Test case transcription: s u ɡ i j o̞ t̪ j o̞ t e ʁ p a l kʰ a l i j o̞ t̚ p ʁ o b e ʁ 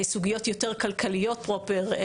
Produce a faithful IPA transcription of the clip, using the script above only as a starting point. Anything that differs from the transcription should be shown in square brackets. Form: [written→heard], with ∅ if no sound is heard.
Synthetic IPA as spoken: s u ɡ i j o̞ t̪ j o̞ t e ʁ [p→k] a l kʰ a l i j o̞ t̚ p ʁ o [b→p] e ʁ

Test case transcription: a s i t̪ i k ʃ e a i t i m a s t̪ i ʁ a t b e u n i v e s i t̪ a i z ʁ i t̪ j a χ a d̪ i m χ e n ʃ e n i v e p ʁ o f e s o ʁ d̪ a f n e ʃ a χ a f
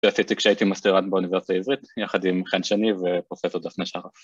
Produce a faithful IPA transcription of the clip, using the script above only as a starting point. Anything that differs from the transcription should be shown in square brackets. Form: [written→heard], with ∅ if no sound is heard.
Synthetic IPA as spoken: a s i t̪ i k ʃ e a i t i m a s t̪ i ʁ a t b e u n i v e s i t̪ a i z ʁ i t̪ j a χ a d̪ i m χ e n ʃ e n i v e p ʁ o f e s o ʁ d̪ a f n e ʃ a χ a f

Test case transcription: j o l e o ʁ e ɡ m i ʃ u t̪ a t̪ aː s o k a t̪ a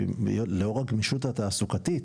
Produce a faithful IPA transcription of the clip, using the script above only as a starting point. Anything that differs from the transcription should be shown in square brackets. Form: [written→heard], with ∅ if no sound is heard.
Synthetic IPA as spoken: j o l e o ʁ [e→a] ɡ m i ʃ u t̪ a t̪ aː s [o→u] k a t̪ [a→i]

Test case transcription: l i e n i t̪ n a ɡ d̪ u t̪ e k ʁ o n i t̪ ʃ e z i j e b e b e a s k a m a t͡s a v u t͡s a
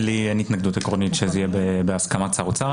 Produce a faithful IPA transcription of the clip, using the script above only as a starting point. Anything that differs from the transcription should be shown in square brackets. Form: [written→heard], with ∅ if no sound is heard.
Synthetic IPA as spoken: l i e n i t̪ n a ɡ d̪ u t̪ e k ʁ o n i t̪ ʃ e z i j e b e b e a s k a m a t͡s a [v→ʁ] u t͡s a

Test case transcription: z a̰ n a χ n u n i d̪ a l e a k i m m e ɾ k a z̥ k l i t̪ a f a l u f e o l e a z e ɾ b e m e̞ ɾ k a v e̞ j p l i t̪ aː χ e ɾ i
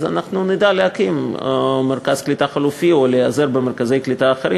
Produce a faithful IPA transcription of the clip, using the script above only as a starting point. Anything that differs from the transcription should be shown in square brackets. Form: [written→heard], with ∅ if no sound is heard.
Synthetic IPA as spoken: z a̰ n a χ n u n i d̪ a l e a k i m m e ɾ k a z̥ k l i t̪ a [f→χ] a l u f [e→i] o l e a z e ɾ b e m e̞ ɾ k a [v→z] e̞ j [p→k] l i t̪ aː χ e ɾ i

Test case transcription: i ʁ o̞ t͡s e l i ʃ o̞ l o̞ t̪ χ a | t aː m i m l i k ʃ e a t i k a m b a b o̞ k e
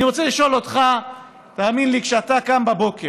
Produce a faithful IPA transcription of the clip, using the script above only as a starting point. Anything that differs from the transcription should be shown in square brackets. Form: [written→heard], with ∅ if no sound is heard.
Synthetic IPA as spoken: i ʁ o̞ t͡s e l i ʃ o̞ l o̞ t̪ χ a | t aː m i [m→n] l i k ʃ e a t [i→a] k a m b a b o̞ k e

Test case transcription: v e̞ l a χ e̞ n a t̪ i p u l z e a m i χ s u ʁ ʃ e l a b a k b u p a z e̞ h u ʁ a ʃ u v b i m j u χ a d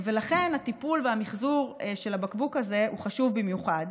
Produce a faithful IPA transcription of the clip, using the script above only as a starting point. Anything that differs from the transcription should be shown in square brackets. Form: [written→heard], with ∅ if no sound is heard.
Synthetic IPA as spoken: v e̞ l a χ e̞ n a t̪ i p u l [z→v] e a m i χ [s→z] u ʁ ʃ e l a b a k b u [p→k] a z e̞ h u [ʁ→χ] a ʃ u v b i m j u χ a d

